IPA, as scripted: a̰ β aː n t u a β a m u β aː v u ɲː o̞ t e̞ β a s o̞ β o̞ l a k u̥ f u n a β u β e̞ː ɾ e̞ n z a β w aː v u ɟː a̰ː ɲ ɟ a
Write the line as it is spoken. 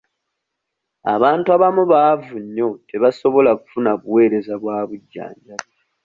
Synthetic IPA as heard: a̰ β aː n t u a β a m u β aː v u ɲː o̞ t e̞ β a s o̞ β o̞ l a k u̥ f u n a β u w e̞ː ɾ e̞ z a β w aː β u ɟː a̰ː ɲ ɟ a